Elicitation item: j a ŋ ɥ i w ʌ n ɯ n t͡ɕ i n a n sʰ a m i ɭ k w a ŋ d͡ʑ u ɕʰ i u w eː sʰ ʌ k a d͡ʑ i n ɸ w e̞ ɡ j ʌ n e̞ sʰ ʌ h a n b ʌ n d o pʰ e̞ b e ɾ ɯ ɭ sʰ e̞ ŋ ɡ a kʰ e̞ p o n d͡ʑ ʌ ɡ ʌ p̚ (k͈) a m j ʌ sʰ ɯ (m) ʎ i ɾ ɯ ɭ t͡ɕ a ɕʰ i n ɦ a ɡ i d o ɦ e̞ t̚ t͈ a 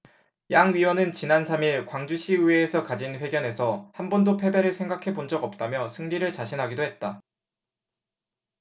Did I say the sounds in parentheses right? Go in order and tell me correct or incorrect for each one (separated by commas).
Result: incorrect, incorrect